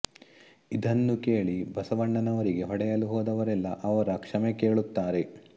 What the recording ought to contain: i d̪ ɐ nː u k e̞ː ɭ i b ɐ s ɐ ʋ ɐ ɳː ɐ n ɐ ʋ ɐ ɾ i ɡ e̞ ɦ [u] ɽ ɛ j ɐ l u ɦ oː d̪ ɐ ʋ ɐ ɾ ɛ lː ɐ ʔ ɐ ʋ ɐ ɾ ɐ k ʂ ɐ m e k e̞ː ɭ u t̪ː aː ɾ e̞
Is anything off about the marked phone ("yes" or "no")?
yes